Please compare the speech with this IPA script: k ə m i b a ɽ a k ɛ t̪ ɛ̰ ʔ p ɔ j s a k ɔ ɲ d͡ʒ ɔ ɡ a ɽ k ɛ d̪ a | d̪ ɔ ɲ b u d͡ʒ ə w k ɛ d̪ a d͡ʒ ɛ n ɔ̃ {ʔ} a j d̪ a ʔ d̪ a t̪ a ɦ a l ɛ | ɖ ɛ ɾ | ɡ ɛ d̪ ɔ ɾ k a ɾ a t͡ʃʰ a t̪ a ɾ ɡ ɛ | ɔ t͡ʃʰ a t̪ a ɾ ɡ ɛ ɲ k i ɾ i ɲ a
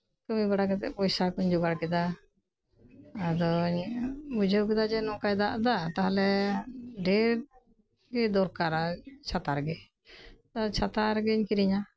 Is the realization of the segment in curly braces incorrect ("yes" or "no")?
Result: yes